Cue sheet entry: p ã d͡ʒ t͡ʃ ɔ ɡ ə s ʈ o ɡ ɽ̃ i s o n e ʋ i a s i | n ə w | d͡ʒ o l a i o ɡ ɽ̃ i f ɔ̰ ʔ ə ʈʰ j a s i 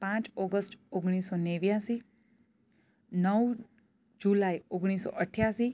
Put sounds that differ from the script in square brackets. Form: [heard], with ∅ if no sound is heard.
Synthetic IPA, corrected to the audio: p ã [∅] t͡ʃ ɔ ɡ ə s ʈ o ɡ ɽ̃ i s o n e ʋ [j] a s i | n ə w | d͡ʒ [u] l a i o ɡ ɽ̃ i [s] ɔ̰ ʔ ə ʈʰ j a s i